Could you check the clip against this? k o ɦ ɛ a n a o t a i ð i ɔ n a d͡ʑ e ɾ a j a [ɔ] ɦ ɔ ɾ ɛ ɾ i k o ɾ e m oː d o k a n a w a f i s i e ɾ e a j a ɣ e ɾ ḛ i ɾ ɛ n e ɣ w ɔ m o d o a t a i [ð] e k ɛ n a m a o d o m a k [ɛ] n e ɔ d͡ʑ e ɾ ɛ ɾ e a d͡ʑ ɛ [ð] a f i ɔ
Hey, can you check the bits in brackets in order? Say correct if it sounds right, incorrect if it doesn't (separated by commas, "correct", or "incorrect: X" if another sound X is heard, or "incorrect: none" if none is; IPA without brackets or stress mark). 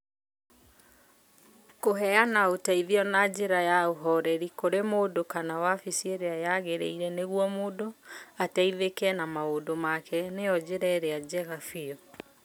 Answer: incorrect: o, correct, correct, incorrect: ɣ